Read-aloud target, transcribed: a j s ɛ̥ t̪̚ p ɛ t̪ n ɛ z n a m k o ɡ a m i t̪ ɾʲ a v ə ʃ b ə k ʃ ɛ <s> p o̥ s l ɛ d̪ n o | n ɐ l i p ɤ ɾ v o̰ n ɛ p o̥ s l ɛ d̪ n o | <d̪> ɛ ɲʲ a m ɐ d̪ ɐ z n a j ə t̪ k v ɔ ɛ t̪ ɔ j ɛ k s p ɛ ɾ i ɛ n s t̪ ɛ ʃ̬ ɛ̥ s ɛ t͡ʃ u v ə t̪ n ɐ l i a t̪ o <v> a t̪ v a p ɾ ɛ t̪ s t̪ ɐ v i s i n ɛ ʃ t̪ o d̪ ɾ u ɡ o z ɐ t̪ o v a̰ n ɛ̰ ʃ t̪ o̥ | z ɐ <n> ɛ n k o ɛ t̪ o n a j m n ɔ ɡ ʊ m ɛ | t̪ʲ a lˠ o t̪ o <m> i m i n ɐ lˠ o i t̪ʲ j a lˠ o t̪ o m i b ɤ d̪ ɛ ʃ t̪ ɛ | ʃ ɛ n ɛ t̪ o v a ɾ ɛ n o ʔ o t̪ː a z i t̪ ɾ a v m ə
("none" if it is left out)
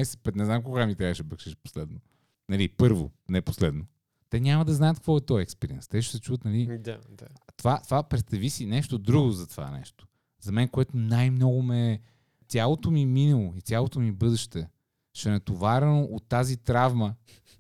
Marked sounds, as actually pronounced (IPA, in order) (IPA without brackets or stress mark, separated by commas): ʃ, t̪, v, m, m